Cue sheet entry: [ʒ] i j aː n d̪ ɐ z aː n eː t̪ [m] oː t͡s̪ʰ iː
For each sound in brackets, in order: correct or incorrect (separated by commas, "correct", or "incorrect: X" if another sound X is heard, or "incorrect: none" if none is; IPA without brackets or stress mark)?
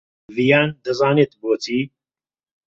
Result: incorrect: v, incorrect: b